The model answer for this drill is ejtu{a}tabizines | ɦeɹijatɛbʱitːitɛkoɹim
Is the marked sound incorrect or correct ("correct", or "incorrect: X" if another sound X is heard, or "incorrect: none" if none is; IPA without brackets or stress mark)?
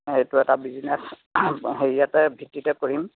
incorrect: ɛ